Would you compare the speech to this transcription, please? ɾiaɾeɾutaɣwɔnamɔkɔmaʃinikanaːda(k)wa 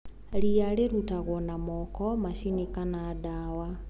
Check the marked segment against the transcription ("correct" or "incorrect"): incorrect